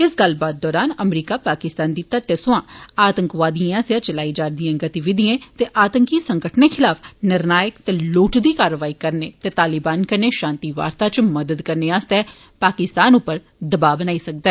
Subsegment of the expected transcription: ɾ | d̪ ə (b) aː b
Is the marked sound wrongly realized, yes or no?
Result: no